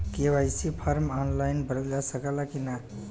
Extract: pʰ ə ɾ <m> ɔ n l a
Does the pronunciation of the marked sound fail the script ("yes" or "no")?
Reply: no